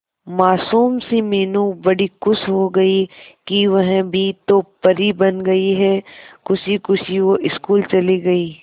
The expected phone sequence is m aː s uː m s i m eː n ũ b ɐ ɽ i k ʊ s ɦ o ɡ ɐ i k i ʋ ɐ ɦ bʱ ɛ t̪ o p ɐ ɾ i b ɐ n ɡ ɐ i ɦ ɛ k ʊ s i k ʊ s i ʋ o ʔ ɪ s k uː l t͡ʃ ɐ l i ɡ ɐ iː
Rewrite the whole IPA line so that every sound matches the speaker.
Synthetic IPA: m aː s uː m s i m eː n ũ b ɐ ɽ i k ʊ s ɦ o ɡ ɐ i k i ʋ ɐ ɦ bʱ i t̪ o p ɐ ɾ i b ɐ n ɡ ɐ i ɦ ɛ k ʊ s i k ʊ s i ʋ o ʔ ɪ s k uː l t͡ʃ ɐ l i ɡ ɐ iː